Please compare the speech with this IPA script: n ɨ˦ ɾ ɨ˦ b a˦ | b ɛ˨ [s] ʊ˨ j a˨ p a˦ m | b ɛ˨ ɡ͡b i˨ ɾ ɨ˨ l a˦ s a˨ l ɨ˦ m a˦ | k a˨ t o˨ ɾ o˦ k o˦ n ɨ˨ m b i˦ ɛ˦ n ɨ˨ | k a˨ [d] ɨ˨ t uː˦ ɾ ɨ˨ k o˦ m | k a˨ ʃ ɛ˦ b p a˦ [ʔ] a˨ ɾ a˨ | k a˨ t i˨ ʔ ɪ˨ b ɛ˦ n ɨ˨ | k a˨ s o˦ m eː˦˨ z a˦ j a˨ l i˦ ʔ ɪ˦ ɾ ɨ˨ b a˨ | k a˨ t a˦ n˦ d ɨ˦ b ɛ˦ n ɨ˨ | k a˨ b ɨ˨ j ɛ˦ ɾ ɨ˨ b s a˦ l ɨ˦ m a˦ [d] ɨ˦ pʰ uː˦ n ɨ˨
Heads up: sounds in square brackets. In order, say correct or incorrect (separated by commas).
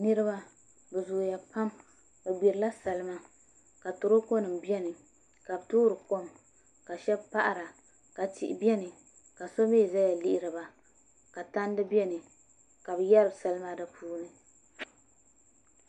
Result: incorrect, incorrect, correct, correct